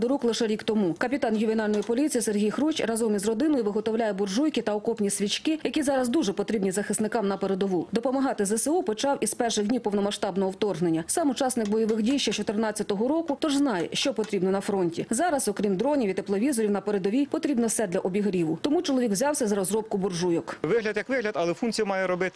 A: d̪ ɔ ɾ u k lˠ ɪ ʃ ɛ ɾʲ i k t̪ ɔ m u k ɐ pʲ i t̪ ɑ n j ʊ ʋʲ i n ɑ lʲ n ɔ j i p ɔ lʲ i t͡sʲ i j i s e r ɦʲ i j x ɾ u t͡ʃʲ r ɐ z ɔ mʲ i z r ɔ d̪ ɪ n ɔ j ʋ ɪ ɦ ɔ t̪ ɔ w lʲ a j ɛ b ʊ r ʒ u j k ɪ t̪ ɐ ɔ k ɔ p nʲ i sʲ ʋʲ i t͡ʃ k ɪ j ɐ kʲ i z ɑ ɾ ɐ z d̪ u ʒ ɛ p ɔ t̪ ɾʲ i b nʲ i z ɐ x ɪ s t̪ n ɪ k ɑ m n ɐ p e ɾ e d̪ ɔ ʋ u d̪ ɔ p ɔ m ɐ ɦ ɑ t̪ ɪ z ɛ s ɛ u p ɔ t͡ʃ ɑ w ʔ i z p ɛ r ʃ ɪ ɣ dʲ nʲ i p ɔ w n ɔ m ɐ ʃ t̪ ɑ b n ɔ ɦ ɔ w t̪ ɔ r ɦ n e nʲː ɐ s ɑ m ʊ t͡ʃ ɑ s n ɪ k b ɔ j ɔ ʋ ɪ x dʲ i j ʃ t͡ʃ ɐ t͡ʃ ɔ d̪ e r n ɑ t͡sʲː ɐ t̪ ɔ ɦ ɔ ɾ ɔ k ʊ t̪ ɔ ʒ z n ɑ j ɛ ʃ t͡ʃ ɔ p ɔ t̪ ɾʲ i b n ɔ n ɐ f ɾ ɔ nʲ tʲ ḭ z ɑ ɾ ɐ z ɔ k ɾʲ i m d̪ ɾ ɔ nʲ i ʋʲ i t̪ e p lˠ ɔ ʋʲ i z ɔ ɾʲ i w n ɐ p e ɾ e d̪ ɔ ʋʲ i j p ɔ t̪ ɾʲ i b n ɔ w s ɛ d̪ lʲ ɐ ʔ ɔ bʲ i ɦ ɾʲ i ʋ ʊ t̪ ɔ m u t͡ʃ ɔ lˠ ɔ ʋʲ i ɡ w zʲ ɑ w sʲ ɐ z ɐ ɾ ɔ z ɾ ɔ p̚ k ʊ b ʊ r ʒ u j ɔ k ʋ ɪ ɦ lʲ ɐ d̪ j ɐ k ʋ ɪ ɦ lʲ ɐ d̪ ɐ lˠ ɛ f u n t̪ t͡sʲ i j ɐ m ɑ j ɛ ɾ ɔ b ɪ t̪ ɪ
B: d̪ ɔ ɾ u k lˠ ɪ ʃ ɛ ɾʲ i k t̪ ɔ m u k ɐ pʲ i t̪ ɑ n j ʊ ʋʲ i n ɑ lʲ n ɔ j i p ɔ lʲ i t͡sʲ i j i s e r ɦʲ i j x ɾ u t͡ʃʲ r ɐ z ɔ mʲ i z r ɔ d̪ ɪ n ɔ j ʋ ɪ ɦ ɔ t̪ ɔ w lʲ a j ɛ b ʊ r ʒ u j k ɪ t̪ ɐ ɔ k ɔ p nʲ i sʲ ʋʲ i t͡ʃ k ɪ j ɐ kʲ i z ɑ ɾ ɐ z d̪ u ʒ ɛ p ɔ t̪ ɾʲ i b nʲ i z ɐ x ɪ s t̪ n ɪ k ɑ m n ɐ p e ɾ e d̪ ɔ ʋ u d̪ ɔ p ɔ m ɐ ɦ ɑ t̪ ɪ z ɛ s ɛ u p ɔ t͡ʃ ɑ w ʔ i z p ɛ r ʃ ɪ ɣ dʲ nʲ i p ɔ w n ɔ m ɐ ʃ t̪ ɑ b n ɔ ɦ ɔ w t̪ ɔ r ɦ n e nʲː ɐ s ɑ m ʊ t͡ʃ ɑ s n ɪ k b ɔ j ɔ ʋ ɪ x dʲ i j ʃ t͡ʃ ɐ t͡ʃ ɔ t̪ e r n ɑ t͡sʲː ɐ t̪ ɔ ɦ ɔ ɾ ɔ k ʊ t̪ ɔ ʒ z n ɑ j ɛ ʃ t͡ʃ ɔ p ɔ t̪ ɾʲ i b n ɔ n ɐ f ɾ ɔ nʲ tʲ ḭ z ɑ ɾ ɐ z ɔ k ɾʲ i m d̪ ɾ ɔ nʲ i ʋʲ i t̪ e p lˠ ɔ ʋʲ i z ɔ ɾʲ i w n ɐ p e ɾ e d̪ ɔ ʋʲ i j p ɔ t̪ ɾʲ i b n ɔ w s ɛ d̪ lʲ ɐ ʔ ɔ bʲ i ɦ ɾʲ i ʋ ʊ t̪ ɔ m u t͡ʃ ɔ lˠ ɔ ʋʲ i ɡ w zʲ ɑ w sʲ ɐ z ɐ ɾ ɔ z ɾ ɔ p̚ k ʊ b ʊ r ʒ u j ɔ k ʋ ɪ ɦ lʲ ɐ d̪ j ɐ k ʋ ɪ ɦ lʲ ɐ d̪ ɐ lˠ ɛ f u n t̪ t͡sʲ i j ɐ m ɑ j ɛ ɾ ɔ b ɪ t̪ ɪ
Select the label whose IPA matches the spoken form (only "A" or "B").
B